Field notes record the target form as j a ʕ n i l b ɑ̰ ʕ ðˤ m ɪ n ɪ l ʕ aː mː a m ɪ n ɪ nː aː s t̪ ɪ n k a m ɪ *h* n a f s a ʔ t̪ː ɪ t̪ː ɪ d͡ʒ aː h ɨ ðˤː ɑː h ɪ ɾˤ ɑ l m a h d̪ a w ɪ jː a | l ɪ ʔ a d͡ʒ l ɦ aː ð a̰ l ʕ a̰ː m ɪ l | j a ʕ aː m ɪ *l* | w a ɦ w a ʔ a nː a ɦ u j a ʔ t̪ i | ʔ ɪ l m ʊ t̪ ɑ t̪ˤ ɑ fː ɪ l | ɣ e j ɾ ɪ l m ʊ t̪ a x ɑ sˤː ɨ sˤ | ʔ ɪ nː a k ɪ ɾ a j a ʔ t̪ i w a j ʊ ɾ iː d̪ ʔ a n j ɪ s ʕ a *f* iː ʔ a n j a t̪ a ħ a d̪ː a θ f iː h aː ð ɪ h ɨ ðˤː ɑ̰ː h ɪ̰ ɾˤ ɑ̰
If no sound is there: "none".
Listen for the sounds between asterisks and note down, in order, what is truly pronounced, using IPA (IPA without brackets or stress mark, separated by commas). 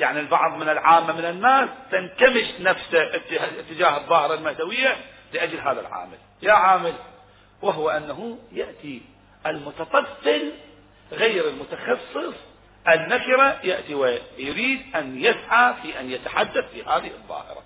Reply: ʃ, l, f